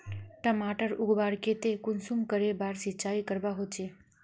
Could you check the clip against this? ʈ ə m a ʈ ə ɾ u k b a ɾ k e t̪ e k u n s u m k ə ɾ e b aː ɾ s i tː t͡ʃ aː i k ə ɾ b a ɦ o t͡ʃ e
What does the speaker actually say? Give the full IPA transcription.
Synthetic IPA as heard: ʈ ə m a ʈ ə ɾ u ɡ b a ɾ k e t̪ e k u n s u m k ə ɾ e b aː ɾ s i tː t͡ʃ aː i k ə ɾ b a ɦ o t͡ʃ e